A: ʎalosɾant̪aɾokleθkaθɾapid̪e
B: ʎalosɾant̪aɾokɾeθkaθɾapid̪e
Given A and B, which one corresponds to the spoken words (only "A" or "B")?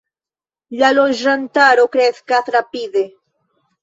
B